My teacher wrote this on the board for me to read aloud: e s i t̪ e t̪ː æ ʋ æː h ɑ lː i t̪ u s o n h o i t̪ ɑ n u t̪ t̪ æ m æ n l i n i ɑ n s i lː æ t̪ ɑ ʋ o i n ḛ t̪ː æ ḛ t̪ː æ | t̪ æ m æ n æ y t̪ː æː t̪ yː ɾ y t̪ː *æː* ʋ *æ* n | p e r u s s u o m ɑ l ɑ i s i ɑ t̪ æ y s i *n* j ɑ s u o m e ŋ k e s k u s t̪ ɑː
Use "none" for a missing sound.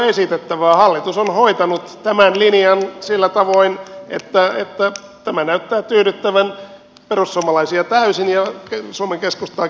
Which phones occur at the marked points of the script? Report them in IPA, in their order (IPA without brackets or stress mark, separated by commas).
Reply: æ, æ, n